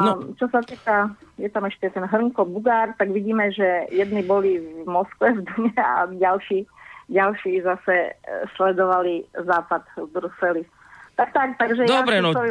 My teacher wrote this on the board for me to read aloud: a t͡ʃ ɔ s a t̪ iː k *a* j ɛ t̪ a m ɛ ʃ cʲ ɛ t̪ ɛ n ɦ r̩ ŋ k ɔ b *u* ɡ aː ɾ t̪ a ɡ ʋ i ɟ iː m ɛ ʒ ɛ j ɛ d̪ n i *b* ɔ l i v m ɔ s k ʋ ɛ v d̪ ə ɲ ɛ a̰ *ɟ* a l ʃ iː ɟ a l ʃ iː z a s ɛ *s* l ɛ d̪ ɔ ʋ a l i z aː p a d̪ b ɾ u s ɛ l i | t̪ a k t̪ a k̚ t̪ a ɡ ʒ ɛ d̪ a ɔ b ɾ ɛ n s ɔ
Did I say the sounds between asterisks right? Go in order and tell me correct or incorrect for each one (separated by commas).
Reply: correct, correct, correct, correct, correct